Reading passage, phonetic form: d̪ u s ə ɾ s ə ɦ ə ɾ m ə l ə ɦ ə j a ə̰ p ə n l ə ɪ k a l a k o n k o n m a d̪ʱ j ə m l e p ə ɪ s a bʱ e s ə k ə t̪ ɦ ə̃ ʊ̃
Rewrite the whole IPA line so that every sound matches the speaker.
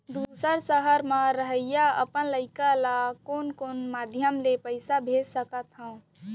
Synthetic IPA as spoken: d̪ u s ə ɾ s ə ɦ ə ɾ m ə ɾ ə ɦ ə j a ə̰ p ə n l ə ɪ k a l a k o n k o n m a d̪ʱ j ə m l e p ə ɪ s a bʱ e s ə k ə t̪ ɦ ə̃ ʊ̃